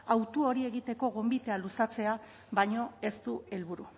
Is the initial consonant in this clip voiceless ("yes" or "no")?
no